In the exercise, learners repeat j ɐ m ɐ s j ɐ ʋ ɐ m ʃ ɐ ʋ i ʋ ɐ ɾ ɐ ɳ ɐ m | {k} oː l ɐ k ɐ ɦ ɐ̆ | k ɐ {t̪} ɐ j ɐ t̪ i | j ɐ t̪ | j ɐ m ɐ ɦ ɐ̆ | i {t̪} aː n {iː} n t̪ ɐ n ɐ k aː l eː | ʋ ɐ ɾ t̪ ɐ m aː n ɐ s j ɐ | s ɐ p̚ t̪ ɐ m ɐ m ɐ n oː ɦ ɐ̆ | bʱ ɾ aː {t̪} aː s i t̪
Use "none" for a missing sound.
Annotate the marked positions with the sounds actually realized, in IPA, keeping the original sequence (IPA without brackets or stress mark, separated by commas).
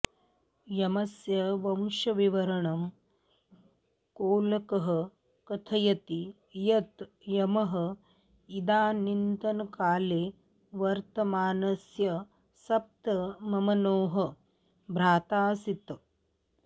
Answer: k, t̪ʰ, d̪, i, t̪